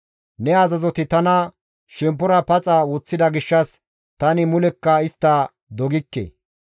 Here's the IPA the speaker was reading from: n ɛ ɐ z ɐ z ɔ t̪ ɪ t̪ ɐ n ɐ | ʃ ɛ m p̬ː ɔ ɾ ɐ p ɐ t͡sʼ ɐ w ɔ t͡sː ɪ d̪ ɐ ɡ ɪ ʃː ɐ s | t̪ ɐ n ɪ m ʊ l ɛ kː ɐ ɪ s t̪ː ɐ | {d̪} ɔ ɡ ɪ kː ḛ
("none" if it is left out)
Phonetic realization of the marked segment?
d̪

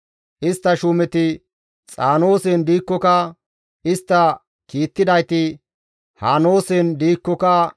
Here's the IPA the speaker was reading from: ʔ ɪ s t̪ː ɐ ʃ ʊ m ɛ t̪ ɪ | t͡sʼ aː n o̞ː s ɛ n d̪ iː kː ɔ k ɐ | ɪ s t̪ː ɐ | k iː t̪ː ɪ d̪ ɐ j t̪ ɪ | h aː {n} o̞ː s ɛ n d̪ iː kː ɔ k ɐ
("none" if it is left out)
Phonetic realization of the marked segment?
n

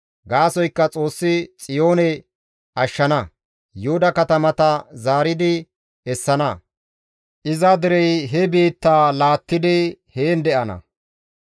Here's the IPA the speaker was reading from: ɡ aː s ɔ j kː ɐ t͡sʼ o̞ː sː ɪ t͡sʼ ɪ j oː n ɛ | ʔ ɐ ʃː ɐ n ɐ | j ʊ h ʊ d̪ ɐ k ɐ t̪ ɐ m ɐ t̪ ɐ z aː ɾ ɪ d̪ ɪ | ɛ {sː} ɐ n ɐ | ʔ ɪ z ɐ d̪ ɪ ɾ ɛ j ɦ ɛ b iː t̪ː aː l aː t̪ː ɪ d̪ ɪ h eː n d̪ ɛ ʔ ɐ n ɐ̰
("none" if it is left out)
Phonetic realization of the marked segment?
sː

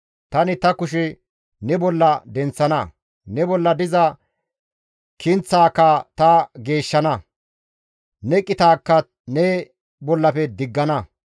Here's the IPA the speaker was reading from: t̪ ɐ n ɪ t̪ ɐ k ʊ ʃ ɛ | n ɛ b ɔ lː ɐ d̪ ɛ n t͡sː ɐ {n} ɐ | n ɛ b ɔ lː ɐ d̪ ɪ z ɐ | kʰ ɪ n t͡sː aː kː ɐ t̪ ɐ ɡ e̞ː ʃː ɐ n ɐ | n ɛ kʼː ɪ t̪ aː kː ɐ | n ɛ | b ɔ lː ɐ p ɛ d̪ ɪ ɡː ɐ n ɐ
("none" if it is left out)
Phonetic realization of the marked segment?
n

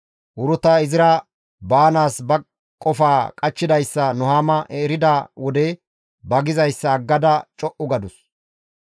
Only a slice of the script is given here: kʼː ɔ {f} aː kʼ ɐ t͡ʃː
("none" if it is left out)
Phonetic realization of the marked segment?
f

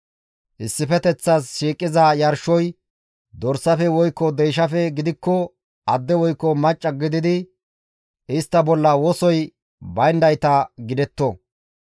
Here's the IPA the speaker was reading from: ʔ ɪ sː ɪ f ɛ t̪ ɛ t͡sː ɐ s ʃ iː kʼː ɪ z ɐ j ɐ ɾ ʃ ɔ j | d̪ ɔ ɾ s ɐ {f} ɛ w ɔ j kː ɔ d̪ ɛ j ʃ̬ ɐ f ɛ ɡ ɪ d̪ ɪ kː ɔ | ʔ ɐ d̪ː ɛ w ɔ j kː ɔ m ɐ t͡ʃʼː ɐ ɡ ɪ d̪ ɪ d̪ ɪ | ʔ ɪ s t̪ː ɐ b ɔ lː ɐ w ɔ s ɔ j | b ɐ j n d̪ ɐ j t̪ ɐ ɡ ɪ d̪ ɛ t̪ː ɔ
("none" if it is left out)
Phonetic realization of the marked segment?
f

